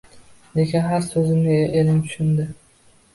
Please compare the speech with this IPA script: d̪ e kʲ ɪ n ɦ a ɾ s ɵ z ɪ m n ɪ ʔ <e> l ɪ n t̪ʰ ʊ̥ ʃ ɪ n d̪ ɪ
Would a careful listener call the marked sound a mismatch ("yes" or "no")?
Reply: no